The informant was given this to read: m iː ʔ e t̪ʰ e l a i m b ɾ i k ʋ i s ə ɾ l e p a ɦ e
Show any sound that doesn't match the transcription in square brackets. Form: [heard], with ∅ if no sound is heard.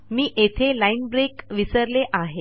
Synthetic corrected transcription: m iː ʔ e t̪ʰ e l a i [n] b ɾ [e] k ʋ i s ə ɾ l e [ʔ] a ɦ e